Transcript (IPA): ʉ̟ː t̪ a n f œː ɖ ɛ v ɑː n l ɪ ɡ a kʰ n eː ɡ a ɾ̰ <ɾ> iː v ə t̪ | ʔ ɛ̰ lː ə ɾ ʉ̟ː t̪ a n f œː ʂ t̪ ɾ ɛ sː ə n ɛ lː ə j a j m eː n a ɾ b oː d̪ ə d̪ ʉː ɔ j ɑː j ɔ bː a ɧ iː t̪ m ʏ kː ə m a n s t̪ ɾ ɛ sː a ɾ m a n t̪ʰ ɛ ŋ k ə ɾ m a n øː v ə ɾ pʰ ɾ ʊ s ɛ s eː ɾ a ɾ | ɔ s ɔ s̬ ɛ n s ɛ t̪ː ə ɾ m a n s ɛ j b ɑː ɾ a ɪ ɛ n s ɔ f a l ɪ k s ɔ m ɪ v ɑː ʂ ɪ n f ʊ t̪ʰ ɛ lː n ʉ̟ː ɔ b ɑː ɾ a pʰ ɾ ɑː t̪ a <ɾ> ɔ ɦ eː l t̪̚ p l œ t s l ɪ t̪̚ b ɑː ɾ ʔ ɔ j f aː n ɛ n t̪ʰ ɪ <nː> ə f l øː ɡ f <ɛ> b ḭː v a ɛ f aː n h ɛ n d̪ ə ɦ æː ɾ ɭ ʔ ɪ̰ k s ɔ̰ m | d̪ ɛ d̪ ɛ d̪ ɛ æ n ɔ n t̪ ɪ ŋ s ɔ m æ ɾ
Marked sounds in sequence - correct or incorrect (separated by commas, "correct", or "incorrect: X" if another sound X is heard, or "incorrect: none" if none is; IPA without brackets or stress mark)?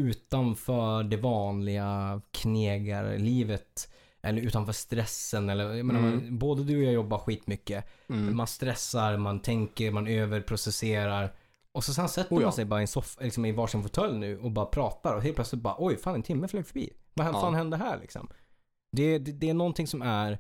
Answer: incorrect: l, correct, incorrect: mː, incorrect: œ